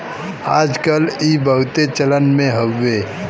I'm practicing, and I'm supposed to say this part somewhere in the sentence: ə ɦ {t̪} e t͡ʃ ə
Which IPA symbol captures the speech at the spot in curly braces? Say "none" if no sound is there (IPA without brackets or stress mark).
t̪